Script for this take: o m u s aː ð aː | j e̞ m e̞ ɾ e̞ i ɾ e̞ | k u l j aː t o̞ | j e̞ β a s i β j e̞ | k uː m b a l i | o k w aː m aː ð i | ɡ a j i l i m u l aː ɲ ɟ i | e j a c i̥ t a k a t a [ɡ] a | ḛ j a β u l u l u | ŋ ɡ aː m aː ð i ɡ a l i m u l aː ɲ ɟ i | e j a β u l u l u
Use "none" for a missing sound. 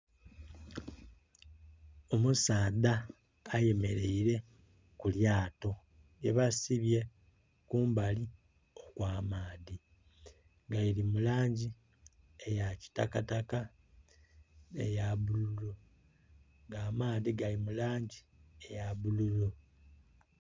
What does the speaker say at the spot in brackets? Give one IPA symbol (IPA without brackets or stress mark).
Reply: k